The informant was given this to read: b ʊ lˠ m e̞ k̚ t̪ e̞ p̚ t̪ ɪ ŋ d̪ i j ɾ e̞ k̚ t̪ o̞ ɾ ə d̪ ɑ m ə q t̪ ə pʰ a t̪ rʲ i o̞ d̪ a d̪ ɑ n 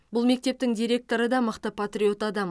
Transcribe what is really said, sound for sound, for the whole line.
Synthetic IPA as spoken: b ʊ lˠ m e̞ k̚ t̪ e̞ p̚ t̪ ɪ ŋ d̪ i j ɾ e̞ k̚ t̪ o̞ ɾ ə d̪ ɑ m ə q t̪ ə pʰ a t̪ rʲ i o̞ t̪ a d̪ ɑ m